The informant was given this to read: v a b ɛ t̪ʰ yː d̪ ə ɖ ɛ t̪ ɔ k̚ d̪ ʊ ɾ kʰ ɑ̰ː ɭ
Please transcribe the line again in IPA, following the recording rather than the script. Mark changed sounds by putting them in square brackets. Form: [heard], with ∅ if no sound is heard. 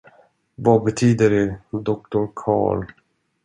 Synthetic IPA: v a b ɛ t̪ʰ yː d̪ ə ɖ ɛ [d̪] ɔ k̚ [t̪] ʊ ɾ kʰ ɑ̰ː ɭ